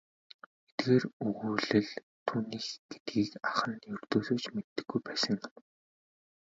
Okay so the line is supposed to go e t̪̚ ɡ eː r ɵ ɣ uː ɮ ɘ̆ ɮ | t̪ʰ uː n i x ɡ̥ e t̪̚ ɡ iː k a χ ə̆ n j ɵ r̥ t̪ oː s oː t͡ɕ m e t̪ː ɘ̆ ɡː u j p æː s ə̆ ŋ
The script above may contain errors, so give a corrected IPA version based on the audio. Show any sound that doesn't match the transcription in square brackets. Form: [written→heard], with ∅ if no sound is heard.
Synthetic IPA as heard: e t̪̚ ɡ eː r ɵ ɣ uː ɮ ɘ̆ ɮ | t̪ʰ uː n [i→iː] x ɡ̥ e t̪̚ ɡ iː k a χ ə̆ n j ɵ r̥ t̪ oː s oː t͡ɕ m e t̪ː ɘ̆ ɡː u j p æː s ə̆ ŋ